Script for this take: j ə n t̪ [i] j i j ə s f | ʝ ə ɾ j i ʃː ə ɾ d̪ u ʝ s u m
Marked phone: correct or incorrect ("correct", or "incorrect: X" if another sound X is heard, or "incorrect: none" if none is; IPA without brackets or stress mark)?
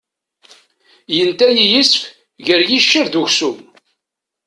incorrect: æ